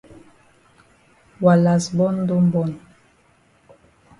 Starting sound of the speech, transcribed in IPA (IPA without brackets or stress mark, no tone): w